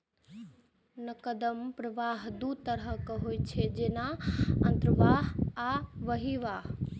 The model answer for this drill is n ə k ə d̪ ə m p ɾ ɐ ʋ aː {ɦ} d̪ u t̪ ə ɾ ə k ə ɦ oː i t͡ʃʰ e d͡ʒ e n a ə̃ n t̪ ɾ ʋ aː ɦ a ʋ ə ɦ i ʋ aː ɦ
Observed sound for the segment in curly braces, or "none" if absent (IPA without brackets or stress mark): ɦ